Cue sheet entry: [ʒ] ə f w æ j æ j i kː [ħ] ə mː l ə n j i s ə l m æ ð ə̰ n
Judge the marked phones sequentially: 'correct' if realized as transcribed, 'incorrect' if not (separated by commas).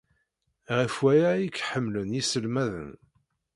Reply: incorrect, correct